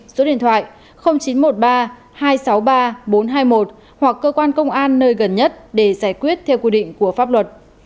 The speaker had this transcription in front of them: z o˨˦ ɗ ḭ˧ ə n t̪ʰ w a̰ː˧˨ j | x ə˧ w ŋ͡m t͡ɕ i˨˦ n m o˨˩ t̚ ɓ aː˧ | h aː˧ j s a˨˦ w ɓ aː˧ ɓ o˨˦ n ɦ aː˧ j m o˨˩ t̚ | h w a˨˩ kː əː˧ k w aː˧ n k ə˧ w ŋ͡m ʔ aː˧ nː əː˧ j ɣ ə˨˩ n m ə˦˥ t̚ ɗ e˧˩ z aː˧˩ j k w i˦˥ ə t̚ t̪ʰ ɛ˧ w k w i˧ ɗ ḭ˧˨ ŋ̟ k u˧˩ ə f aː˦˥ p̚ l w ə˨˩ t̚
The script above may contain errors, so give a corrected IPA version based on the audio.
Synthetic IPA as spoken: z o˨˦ ɗ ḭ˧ ə n t̪ʰ w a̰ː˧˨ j | x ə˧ w ŋ͡m t͡ɕ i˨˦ n m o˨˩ t̚ ɓ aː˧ | h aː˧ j s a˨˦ w ɓ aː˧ ɓ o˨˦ n ɦ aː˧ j m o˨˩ t̚ | h w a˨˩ kː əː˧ k w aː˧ n k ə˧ w ŋ͡m ʔ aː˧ nː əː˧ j ɣ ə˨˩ n ɲ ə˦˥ t̚ ɗ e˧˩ z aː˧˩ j k w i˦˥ ə t̚ t̪ʰ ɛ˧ w k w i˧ ɗ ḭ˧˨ ŋ̟ k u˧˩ ə f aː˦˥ p̚ l w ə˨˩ t̚